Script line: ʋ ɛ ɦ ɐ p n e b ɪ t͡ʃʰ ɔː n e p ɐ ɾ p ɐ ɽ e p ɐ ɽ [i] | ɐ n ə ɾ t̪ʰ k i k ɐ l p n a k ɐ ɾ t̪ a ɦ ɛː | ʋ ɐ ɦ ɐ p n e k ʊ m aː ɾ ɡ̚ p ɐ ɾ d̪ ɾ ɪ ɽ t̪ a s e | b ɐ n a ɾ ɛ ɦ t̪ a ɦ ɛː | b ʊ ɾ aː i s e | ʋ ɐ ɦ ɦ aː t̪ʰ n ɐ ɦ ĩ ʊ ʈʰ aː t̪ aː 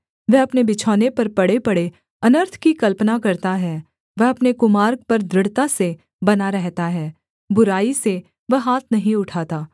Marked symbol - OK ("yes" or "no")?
no